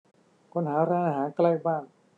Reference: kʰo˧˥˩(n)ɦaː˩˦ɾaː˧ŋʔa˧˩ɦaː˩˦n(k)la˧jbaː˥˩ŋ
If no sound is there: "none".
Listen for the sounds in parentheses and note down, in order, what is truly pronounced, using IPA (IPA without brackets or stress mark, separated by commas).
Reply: n, k